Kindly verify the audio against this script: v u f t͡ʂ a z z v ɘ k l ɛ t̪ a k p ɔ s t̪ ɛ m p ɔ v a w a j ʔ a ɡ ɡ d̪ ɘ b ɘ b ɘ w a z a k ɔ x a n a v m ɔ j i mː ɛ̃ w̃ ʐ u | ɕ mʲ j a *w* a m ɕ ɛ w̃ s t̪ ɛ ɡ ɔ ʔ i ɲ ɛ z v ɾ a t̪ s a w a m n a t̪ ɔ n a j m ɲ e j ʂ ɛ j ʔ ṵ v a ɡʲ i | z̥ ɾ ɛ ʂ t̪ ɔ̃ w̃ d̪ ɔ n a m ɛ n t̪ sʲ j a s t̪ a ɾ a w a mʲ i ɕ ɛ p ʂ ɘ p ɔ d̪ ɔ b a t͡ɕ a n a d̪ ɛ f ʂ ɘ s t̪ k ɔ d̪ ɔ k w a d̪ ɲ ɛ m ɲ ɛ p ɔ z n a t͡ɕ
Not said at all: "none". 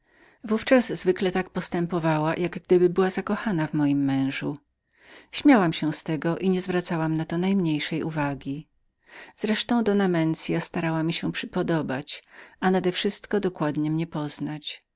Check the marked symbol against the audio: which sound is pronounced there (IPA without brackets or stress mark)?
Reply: w